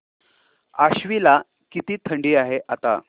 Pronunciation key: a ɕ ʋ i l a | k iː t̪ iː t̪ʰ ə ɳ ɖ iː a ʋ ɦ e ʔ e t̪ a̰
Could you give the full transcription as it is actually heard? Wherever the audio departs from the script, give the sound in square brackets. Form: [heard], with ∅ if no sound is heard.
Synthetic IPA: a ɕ ʋ i l a | k [i] t̪ iː t̪ʰ ə ɳ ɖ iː a [∅] ɦ e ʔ [a] t̪ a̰